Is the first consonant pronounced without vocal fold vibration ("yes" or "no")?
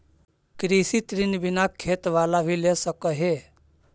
yes